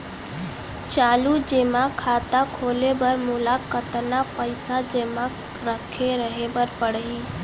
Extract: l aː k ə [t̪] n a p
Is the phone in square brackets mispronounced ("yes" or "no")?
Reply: no